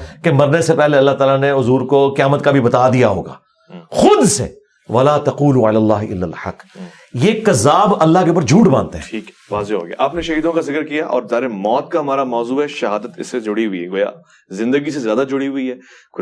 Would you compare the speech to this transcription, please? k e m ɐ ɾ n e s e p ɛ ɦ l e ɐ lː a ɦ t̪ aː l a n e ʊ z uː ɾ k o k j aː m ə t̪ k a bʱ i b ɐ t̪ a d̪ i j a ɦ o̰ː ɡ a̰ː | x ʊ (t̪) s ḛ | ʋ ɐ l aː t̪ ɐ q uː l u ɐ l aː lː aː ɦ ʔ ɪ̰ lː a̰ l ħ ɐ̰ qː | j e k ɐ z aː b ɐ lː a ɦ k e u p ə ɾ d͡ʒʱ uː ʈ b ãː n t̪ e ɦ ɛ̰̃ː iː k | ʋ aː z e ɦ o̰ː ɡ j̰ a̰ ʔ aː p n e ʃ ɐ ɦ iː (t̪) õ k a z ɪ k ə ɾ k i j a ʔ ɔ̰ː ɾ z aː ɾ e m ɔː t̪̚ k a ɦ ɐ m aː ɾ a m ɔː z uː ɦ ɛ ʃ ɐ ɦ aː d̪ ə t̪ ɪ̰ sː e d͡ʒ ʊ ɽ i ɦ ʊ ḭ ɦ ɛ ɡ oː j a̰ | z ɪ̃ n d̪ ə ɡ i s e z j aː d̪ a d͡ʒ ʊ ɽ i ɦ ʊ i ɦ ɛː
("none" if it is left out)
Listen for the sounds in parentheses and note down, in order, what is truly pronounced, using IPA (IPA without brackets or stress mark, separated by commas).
d̪, d̪